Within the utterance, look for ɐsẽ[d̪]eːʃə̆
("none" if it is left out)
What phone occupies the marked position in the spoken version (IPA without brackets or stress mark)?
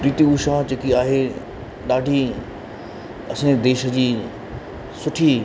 d̪